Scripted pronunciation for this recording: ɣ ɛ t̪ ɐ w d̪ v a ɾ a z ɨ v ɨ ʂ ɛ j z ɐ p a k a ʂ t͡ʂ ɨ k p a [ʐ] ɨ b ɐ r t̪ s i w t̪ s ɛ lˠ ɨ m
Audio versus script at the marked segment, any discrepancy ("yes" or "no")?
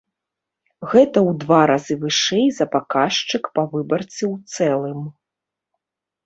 yes